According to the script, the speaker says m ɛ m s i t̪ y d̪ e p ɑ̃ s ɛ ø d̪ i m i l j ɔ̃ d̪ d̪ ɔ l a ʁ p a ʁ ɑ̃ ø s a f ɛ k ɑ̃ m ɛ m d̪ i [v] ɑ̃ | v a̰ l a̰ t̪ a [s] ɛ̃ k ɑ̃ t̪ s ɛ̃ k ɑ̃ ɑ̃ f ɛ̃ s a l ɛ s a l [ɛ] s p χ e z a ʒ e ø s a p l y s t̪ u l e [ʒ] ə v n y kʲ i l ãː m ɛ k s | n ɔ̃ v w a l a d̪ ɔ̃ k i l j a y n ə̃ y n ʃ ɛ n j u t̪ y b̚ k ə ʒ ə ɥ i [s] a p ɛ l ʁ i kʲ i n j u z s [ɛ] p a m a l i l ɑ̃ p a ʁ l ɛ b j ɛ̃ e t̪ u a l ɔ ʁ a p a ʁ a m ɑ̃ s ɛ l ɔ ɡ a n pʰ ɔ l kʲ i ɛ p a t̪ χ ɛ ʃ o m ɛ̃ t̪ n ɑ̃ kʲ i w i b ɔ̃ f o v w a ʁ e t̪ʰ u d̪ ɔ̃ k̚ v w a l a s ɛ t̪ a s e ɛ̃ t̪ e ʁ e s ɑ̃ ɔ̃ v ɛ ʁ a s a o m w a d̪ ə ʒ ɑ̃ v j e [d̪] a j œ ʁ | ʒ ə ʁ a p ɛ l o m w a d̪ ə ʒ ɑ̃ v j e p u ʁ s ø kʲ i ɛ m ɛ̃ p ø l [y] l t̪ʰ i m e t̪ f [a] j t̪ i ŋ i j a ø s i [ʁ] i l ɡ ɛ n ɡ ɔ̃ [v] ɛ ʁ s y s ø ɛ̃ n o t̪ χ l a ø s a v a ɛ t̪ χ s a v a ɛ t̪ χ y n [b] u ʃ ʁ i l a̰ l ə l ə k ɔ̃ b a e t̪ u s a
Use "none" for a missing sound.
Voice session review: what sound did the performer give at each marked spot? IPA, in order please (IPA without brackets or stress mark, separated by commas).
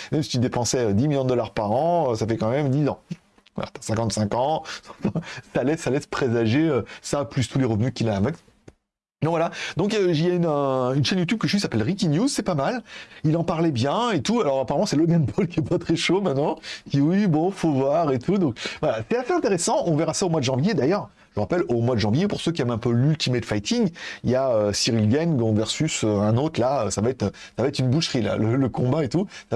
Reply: z, s, ɛ, ʁ, s, ɛ, d̪, y, a, ʁ, v, b